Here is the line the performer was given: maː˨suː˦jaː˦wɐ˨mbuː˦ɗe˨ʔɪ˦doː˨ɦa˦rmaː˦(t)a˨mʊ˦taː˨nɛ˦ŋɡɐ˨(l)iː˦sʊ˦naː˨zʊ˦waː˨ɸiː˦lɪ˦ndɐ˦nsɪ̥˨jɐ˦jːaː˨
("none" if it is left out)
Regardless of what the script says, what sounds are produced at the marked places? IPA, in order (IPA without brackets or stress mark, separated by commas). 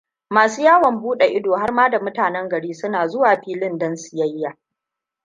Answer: d, ɽ